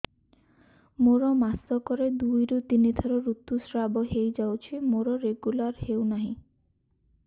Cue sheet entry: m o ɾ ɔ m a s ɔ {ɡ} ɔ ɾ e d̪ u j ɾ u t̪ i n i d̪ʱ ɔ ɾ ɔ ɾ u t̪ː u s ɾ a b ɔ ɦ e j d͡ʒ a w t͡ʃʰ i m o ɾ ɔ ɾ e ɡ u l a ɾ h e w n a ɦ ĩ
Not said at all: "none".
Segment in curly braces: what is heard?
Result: k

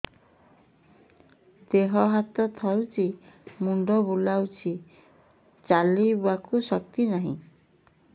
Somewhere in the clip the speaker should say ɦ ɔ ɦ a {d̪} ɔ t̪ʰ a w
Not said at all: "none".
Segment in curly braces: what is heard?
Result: t̪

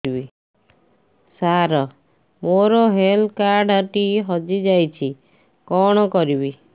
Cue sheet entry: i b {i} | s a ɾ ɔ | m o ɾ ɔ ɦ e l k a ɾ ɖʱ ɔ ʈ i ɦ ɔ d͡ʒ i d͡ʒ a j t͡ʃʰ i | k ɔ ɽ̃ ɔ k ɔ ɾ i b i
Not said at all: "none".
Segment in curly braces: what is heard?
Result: i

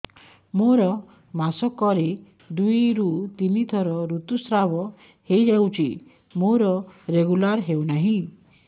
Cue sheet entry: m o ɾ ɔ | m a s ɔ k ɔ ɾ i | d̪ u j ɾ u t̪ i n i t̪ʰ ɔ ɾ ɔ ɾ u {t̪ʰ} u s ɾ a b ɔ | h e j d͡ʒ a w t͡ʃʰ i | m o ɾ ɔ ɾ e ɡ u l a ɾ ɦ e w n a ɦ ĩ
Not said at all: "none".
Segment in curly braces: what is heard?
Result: t̪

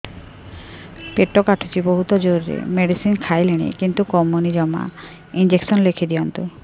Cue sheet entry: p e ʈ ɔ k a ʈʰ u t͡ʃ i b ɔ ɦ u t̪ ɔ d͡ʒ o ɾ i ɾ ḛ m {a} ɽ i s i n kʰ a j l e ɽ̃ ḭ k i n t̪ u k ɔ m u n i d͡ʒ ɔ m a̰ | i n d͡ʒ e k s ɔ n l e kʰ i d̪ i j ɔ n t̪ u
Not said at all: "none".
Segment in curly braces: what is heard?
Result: e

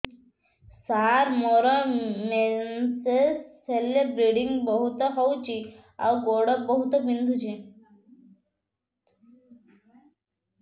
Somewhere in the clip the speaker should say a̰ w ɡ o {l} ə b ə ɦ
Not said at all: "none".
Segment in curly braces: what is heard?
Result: ɽ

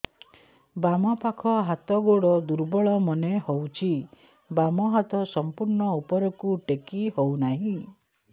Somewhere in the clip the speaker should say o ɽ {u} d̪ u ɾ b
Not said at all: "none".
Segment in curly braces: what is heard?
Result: ɔ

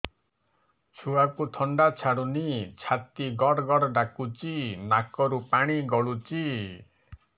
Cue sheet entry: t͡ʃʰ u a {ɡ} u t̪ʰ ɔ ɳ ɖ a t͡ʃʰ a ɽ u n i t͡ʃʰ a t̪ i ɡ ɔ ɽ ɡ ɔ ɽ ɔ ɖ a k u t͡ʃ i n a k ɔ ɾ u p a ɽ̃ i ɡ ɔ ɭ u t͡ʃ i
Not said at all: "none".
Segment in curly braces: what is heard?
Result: k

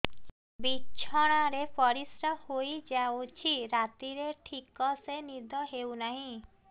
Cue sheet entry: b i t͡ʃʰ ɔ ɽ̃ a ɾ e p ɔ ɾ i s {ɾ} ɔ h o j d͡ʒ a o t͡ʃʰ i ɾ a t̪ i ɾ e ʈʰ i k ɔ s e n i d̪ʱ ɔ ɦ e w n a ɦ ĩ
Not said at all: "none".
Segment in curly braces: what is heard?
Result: ɾ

